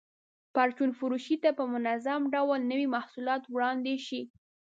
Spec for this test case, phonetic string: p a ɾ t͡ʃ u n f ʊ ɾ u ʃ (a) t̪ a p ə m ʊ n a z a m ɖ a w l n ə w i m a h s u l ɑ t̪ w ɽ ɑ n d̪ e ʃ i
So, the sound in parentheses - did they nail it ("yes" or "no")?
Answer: no